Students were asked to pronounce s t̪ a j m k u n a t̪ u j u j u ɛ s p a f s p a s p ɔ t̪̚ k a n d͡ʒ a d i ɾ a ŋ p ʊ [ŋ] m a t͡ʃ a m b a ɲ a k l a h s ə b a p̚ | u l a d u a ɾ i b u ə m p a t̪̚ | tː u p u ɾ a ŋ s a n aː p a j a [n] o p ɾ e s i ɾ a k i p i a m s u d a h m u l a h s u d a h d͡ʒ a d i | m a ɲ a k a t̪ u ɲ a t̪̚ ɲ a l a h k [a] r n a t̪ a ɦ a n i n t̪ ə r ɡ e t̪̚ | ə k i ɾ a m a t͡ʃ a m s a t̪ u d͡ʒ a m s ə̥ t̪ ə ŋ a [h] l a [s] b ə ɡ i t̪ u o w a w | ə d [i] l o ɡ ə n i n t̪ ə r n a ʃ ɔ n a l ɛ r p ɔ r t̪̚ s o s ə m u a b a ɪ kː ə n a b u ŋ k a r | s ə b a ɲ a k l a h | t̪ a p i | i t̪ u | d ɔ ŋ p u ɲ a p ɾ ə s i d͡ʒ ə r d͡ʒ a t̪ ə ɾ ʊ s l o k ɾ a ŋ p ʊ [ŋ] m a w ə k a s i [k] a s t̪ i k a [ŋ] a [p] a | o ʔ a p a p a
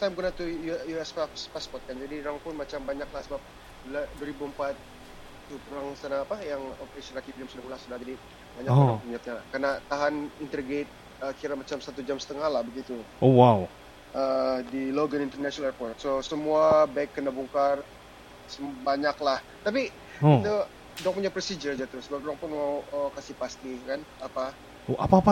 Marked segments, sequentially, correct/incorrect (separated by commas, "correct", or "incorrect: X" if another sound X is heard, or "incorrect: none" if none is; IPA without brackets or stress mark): incorrect: n, incorrect: ŋ, correct, correct, incorrect: h, correct, incorrect: n, incorrect: p, incorrect: n, correct